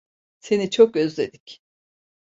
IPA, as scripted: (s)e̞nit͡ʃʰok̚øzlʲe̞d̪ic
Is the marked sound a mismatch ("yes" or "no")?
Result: no